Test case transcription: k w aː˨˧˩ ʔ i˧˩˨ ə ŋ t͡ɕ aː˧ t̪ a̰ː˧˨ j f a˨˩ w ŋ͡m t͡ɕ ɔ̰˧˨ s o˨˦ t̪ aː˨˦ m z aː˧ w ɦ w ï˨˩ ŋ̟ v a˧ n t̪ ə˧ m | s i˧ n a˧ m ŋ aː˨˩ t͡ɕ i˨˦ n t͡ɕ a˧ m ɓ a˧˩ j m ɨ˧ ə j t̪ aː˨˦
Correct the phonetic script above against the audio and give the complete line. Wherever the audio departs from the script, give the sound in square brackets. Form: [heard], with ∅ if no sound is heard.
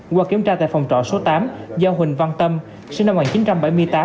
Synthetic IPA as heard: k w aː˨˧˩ [k] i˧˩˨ ə [m] t͡ɕ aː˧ t̪ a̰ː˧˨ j f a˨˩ w ŋ͡m t͡ɕ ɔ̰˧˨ s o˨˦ t̪ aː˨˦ m z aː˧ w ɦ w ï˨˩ ŋ̟ v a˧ n t̪ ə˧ m | s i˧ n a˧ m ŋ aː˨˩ t͡ɕ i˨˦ n t͡ɕ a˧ m ɓ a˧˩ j m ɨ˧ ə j t̪ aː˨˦

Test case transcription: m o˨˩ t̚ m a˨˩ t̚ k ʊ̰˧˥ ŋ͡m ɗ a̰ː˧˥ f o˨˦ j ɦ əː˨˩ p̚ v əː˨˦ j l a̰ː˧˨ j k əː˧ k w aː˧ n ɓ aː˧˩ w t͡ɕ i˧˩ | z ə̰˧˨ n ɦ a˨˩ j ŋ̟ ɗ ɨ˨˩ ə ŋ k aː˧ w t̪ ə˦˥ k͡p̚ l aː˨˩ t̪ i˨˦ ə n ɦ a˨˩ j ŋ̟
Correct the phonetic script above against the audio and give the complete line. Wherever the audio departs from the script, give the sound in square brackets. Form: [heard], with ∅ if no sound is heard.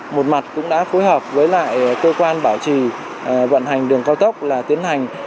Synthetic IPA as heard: m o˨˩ t̚ m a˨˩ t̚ k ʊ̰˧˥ ŋ͡m ɗ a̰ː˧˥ f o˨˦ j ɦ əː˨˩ p̚ v əː˨˦ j l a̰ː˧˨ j k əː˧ k w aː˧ n ɓ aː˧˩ w t͡ɕ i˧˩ | [v] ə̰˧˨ n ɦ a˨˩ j ŋ̟ ɗ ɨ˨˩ ə ŋ k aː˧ w t̪ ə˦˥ k͡p̚ l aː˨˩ t̪ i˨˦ ə n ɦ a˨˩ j ŋ̟

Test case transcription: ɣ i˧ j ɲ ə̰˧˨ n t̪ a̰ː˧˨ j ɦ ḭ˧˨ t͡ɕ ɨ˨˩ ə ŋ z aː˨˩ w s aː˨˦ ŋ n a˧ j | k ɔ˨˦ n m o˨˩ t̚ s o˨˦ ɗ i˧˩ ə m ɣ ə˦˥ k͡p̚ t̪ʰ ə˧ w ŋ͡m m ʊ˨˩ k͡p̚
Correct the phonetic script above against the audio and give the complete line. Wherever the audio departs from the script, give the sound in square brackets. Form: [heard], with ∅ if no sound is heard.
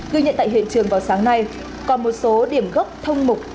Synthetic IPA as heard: ɣ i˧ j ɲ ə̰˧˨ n t̪ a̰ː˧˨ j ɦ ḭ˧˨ t͡ɕ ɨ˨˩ ə ŋ [v] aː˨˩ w s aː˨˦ ŋ n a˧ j | k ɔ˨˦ n m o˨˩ t̚ s o˨˦ ɗ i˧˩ ə m ɣ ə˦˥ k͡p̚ t̪ʰ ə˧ w ŋ͡m m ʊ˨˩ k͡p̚

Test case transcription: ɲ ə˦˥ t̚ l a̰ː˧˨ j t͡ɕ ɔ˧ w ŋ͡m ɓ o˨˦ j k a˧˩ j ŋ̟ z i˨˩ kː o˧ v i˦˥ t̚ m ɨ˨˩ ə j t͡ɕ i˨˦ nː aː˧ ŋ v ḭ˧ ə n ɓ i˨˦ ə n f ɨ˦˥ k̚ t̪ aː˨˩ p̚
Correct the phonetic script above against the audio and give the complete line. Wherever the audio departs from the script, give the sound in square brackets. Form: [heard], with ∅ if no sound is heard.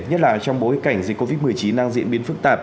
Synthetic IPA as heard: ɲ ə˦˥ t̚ l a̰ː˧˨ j t͡ɕ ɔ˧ w ŋ͡m ɓ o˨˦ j k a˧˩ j ŋ̟ z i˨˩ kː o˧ v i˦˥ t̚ m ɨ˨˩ ə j t͡ɕ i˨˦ nː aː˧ ŋ [z] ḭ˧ ə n ɓ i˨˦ ə n f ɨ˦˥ k̚ t̪ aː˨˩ p̚

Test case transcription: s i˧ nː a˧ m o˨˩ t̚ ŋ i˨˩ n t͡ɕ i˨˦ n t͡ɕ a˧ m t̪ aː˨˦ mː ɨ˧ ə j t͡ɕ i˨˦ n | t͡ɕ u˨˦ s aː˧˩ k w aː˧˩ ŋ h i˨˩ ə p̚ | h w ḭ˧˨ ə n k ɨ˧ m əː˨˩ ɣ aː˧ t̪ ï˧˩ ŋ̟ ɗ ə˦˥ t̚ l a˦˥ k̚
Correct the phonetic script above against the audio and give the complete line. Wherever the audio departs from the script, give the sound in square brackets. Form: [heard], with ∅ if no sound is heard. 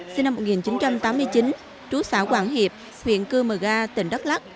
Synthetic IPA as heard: s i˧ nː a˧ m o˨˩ t̚ ŋ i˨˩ n t͡ɕ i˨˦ n t͡ɕ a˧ m t̪ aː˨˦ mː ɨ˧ ə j t͡ɕ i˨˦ n | t͡ɕ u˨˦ s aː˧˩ k w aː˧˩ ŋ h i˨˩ ə p̚ | h w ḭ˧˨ ə n k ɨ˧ m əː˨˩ ɣ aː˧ t̪ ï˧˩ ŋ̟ ɗ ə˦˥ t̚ l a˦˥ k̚

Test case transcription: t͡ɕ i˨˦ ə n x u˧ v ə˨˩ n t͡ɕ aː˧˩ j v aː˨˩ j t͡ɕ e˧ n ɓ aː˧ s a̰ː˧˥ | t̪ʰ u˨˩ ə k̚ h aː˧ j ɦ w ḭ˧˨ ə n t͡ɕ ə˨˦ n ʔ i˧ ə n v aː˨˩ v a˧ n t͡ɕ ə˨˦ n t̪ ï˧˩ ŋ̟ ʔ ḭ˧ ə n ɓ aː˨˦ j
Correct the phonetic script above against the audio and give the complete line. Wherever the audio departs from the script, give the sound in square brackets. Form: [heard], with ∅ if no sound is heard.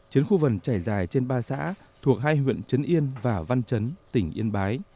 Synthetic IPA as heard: t͡ɕ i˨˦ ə n x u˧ v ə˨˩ n t͡ɕ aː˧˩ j [z] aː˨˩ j t͡ɕ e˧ n ɓ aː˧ s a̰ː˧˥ | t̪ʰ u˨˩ ə k̚ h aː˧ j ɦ w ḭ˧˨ ə n t͡ɕ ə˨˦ n ʔ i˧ ə n v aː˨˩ v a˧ n t͡ɕ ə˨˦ n t̪ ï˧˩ ŋ̟ ʔ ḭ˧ ə n ɓ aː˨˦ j

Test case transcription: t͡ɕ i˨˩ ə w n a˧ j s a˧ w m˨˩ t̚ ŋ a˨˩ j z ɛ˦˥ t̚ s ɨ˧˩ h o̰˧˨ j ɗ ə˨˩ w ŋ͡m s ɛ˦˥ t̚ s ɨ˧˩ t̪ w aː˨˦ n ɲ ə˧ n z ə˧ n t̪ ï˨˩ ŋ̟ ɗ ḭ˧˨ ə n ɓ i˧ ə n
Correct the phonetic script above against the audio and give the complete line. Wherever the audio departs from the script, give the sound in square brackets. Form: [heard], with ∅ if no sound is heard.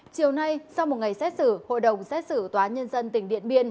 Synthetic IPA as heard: t͡ɕ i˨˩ ə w n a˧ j s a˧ w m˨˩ t̚ ŋ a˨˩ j [s] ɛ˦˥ t̚ s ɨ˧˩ h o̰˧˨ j ɗ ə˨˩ w ŋ͡m s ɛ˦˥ t̚ s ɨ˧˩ t̪ w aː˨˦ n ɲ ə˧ n z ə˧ n t̪ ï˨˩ ŋ̟ ɗ ḭ˧˨ ə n ɓ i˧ ə n

